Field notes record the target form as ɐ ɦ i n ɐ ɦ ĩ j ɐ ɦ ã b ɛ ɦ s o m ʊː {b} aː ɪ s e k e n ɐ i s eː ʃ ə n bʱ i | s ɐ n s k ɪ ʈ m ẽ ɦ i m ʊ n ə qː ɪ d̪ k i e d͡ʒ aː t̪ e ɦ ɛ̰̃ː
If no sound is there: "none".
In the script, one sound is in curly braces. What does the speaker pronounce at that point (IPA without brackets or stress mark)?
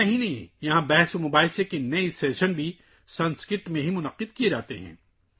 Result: b